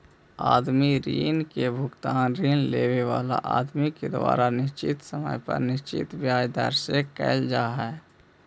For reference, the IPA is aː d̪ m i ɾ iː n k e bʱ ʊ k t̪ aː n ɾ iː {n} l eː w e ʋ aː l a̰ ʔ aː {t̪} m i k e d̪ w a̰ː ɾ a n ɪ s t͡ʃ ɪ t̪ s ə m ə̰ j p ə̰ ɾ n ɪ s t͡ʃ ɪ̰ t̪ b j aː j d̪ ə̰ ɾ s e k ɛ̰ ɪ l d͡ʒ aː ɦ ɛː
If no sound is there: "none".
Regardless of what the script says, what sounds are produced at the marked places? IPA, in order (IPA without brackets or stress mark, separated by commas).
n, d̪